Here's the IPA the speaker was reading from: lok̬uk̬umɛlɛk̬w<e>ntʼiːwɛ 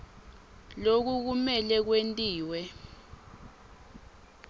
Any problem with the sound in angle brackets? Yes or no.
no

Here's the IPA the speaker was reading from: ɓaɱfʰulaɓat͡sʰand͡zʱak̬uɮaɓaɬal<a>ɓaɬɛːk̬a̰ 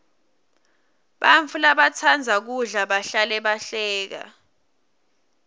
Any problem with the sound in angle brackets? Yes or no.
yes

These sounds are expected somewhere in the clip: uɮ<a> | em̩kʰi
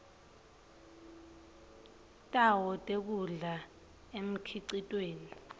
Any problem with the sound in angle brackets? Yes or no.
no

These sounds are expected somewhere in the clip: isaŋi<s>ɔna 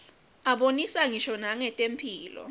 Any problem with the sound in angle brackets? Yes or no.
yes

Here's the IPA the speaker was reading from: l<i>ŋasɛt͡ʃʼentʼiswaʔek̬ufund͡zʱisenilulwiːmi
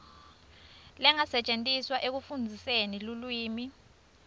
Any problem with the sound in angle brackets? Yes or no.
yes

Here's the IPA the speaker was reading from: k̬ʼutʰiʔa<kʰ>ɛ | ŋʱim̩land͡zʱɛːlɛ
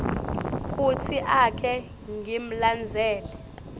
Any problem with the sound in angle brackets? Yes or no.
no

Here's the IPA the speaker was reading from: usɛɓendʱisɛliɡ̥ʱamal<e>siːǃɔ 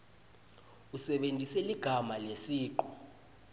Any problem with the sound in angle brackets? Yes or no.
no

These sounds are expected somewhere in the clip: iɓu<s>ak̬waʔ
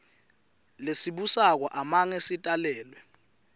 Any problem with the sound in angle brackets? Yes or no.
no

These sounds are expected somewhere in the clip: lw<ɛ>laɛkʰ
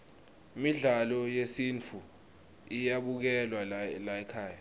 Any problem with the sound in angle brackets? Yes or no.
yes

